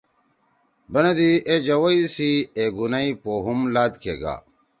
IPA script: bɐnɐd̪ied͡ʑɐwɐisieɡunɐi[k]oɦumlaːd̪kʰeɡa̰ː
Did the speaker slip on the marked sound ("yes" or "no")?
yes